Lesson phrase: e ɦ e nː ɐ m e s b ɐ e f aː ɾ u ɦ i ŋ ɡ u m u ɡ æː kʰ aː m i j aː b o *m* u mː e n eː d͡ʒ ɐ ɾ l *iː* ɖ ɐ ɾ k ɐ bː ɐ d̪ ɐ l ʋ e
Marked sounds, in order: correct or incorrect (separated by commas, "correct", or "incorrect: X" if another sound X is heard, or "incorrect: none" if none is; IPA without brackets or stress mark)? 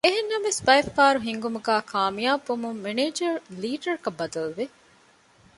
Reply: correct, correct